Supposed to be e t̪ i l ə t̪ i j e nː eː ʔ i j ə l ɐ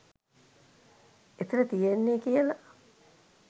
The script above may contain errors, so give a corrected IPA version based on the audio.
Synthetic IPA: e t̪ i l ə t̪ i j e nː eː k i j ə l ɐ